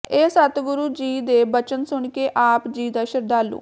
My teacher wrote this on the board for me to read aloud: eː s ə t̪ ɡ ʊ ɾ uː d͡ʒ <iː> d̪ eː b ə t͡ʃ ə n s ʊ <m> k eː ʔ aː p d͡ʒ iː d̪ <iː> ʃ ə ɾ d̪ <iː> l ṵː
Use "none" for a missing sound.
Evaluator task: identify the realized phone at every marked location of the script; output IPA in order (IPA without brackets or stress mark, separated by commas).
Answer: iː, ɳ, aː, aː